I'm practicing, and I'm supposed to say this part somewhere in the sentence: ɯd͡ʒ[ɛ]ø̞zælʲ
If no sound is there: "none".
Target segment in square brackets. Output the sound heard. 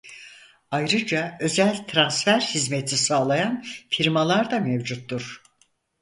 a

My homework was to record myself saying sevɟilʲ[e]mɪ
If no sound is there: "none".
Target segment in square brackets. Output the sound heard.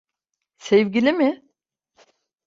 i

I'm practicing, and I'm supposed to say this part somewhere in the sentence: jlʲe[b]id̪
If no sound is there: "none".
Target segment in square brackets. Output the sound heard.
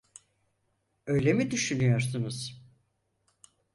m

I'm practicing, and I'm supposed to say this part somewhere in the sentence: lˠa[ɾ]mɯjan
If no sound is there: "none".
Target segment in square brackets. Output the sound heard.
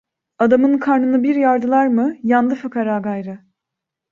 ɾ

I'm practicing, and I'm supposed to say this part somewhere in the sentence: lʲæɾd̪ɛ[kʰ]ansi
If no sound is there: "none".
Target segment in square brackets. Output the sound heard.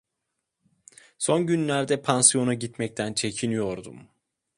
pʰ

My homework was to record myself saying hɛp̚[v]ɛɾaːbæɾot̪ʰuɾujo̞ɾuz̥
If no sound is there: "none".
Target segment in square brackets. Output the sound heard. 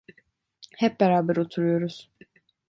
b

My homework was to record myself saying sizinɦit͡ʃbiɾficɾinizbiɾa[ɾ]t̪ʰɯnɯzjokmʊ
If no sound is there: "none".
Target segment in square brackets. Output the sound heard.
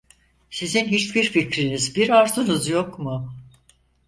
ɾ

